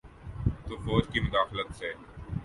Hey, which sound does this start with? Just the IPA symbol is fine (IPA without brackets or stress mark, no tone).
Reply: t̪